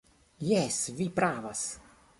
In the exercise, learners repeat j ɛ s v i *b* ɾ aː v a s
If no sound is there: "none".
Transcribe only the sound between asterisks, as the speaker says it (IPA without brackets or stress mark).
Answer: p